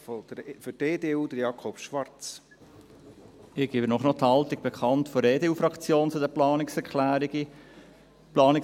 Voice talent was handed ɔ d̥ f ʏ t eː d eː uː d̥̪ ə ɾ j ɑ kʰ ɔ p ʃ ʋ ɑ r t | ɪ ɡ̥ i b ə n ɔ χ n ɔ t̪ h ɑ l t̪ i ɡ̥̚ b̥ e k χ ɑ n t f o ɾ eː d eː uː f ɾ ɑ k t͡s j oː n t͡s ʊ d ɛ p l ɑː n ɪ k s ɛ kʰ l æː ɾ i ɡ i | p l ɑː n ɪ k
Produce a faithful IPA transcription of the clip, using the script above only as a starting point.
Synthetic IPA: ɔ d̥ f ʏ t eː d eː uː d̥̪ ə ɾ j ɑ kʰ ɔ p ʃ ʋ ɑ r t͡s | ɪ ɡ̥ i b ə n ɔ χ n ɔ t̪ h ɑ l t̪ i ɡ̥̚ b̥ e k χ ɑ n t f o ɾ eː d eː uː f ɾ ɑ k t͡s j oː n t͡s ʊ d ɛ p l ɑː n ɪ k s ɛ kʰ l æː ɾ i ɡ i | p l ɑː n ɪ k